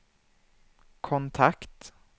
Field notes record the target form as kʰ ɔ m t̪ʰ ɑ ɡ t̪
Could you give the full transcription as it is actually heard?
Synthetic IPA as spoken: kʰ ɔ n t̪ʰ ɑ k t̪

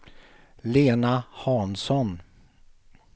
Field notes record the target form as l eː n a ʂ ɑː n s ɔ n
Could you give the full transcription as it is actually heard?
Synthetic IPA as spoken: l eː n a h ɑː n s ɔ n

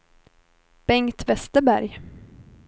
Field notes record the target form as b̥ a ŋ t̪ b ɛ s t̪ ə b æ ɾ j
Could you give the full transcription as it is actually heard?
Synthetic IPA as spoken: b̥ ɛ ŋ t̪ v ɛ s t̪ ə b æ ɾ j

